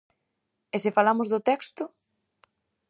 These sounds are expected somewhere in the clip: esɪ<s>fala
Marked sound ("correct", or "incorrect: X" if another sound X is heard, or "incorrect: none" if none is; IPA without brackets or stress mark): incorrect: none